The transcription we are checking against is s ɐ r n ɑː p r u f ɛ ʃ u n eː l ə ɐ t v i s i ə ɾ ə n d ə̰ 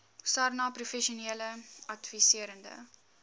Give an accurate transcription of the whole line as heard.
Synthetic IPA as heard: s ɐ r n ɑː p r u f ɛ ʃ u n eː l ə ɐ t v i s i ə ɾ ə n d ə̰